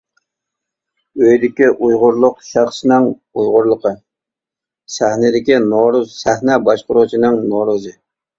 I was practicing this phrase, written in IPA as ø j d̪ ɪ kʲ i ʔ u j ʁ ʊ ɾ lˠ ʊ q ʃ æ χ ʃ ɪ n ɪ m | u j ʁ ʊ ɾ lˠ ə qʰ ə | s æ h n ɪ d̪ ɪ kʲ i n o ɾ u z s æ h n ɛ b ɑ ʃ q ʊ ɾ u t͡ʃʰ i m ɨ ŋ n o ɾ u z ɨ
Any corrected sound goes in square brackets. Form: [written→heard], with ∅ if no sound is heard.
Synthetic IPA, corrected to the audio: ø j d̪ ɪ kʲ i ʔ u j ʁ ʊ ɾ lˠ ʊ q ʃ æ χ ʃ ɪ n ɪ [m→ŋ] | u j ʁ ʊ ɾ lˠ ə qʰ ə | s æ h n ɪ d̪ ɪ kʲ i n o ɾ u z s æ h n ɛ b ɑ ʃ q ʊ ɾ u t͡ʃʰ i [m→n] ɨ ŋ n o ɾ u z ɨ